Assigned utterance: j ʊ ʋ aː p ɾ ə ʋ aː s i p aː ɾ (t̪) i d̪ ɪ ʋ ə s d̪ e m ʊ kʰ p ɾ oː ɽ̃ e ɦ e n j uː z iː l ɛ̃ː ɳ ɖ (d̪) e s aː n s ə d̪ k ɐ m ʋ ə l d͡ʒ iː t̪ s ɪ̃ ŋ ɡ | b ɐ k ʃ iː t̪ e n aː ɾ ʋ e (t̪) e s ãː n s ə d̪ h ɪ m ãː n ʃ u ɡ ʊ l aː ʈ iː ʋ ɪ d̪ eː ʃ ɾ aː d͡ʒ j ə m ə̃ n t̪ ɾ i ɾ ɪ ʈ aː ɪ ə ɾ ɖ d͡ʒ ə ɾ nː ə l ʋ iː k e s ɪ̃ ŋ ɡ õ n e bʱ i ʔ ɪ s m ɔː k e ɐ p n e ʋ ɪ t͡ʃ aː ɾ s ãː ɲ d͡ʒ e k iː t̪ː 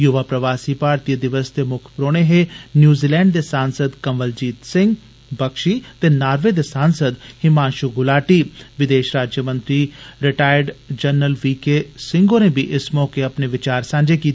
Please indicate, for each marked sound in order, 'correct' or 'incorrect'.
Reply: correct, correct, incorrect: d̪

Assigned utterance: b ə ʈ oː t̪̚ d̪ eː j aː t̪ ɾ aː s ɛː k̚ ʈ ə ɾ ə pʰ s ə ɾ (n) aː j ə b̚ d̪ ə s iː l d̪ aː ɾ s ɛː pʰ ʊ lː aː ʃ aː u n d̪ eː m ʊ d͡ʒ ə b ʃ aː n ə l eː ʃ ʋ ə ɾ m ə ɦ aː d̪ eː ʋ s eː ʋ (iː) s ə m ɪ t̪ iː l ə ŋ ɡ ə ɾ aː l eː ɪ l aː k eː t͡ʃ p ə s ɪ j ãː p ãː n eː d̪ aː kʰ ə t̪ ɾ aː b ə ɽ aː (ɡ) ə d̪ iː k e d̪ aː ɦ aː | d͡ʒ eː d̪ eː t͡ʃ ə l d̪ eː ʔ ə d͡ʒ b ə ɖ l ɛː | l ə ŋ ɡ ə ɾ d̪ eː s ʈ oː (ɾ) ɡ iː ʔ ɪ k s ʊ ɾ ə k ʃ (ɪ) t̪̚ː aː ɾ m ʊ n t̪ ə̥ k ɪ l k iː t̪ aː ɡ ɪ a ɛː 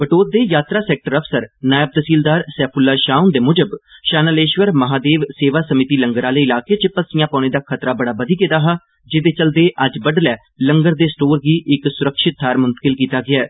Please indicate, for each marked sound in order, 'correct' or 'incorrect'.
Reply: correct, incorrect: aː, incorrect: b, correct, correct

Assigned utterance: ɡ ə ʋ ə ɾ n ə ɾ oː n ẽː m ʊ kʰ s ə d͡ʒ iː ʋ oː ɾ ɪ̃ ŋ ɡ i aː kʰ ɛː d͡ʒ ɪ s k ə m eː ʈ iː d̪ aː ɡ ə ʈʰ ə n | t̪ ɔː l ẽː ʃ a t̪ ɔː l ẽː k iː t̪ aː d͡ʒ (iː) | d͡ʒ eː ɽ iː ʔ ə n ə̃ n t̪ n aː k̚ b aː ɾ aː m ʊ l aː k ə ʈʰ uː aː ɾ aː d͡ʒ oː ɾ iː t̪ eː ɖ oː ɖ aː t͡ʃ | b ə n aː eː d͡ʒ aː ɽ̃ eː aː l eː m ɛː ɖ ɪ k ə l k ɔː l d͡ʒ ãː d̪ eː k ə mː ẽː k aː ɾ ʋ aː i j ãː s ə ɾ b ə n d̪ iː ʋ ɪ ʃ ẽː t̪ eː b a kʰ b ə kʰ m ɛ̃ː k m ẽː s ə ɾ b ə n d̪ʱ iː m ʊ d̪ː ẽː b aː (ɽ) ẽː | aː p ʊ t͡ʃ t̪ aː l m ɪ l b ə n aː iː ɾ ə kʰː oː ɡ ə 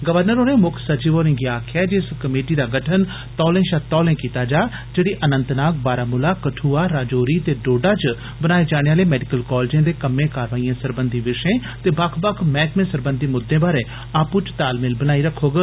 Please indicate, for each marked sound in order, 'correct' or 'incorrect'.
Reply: incorrect: aː, incorrect: ɾ

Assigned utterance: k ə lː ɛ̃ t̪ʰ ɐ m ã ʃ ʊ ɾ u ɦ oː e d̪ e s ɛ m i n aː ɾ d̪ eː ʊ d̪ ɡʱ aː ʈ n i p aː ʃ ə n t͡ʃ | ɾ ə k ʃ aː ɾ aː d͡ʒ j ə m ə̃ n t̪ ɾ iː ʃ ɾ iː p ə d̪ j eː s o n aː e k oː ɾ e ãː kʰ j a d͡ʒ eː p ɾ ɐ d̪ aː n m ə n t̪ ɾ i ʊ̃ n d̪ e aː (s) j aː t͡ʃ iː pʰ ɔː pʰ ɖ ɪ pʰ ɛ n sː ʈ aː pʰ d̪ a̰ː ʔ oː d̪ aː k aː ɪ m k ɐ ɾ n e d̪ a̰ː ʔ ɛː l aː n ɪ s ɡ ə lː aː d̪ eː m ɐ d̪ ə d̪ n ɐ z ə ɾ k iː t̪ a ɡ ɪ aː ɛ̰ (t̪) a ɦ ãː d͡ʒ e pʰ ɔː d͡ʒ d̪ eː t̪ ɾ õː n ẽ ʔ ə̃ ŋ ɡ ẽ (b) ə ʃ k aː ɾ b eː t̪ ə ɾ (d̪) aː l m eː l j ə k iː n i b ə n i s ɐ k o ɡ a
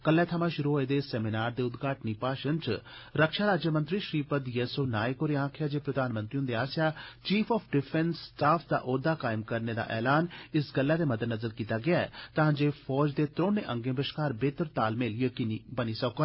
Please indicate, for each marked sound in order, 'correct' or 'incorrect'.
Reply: correct, correct, correct, incorrect: t̪

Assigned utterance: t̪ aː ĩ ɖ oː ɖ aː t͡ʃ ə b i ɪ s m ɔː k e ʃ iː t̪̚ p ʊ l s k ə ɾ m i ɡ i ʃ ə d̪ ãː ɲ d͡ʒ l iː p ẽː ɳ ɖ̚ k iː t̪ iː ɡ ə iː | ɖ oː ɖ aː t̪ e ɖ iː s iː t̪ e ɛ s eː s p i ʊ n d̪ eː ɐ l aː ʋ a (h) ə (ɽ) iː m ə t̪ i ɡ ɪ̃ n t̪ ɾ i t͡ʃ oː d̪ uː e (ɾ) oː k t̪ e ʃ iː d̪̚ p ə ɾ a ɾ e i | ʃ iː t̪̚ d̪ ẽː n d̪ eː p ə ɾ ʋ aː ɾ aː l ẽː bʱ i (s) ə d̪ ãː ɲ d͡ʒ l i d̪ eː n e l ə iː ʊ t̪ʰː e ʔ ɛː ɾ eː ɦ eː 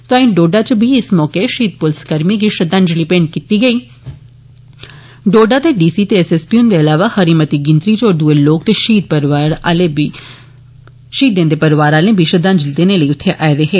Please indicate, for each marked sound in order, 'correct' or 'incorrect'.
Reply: correct, incorrect: ɾ, incorrect: l, incorrect: ʃ

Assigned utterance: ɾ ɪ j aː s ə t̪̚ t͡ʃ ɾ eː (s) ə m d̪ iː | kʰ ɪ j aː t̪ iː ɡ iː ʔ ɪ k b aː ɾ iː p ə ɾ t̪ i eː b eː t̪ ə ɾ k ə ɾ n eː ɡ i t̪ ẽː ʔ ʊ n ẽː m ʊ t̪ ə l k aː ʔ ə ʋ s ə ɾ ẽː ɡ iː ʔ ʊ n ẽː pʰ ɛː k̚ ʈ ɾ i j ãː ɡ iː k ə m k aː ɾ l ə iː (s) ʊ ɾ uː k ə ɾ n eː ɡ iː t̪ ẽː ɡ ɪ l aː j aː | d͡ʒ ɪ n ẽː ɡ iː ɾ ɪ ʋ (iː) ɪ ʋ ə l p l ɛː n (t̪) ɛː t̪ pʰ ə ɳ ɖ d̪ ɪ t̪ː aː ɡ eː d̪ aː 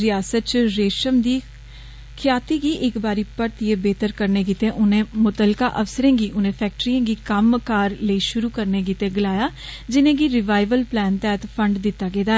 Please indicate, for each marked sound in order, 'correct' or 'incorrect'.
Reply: incorrect: ʃ, incorrect: ʃ, incorrect: aː, correct

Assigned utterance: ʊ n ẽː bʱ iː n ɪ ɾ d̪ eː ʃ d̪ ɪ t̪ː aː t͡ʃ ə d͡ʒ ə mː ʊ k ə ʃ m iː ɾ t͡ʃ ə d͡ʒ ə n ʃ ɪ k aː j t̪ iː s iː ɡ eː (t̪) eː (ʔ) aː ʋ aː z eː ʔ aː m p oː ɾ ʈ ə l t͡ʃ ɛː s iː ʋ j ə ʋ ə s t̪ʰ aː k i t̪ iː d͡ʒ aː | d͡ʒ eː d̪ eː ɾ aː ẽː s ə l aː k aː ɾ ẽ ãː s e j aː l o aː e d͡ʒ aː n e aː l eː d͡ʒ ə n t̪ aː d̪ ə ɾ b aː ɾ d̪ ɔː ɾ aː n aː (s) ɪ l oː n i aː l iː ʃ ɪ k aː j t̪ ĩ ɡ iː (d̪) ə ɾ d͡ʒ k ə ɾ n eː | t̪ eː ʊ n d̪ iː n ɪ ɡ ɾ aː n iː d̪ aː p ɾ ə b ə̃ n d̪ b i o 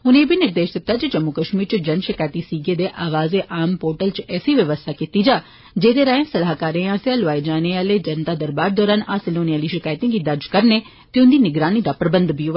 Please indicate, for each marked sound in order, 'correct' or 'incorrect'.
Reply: incorrect: d̪, correct, correct, correct

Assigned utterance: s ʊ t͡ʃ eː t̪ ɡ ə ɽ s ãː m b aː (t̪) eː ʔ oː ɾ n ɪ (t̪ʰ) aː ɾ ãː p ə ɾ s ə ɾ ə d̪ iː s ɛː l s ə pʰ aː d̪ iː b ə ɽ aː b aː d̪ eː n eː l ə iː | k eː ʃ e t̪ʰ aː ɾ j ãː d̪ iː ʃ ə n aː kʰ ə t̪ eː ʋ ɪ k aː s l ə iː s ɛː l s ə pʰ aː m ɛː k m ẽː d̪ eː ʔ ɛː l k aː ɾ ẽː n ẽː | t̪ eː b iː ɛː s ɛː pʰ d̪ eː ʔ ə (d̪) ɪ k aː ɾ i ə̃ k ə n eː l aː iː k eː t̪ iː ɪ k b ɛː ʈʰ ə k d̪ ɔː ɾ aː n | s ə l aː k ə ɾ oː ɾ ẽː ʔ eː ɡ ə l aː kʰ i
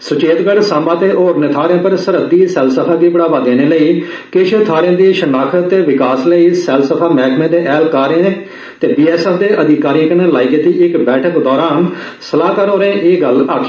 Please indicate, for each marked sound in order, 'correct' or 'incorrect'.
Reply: correct, correct, correct

